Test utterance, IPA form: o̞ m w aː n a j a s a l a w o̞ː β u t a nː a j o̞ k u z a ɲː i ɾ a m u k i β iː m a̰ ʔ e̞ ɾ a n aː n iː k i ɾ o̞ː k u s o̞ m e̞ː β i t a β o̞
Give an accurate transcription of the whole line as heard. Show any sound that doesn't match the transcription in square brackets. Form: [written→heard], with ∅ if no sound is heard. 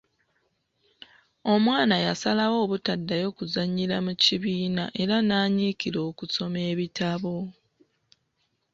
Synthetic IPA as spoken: o̞ m w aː n a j a s a l a w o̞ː β u t a [nː→dː] a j o̞ k u z a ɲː i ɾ a m u [k→c] i β iː [m→n] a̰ ʔ e̞ ɾ a n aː [n→ɲ] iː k i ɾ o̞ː k u s o̞ m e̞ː β i t a β o̞